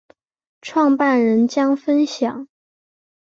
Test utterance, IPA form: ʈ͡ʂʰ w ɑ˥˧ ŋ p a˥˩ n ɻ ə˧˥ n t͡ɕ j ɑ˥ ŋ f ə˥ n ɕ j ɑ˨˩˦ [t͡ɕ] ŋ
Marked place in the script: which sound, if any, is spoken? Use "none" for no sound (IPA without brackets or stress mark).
none